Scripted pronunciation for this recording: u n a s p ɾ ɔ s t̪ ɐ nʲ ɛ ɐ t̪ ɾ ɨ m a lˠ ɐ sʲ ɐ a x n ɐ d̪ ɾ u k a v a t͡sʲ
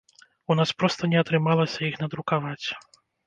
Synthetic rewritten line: u n a s p ɾ ɔ s t̪ ɐ nʲ ɛ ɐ t̪ ɾ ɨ m a lˠ ɐ sʲ ɐ i x n ɐ d̪ ɾ u k a v a t͡sʲ